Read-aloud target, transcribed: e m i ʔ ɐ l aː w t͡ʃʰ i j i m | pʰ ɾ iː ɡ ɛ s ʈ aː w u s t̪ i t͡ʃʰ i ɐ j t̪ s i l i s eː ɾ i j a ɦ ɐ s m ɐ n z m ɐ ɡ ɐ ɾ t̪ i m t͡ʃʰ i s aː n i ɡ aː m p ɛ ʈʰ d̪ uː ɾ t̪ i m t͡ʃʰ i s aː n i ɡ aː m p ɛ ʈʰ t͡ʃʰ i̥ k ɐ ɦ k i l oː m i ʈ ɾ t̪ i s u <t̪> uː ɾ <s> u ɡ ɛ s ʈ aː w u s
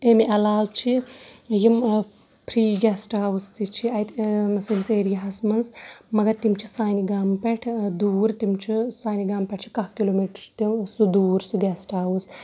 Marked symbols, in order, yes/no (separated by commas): no, yes